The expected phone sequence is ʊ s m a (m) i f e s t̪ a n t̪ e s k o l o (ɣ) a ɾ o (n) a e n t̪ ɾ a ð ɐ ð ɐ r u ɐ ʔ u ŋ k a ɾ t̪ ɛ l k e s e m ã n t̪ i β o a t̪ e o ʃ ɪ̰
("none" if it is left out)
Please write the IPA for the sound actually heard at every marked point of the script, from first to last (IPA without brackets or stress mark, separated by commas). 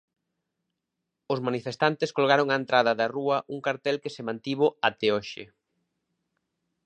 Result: n, ɣ, ŋ